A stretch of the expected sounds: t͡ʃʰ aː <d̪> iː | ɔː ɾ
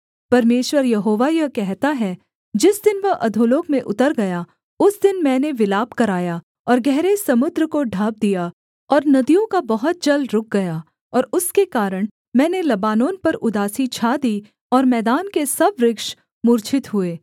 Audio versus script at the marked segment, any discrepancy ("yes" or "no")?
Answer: no